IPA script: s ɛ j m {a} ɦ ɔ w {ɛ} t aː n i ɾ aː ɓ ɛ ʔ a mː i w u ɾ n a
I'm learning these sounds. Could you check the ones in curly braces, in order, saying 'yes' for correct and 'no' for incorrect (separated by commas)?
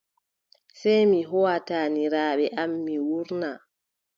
no, no